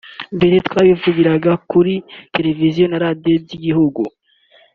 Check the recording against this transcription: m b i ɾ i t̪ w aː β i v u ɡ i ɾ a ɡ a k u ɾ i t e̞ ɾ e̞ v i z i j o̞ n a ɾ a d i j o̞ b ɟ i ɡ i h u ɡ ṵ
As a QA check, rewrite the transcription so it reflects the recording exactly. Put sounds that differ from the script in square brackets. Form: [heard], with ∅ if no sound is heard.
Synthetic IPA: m b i ɾ i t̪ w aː β i v u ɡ i ɾ a ɡ a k u ɾ i t e̞ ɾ e̞ v i z i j o̞ n a ɾ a d i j o̞ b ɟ i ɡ i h u ɡ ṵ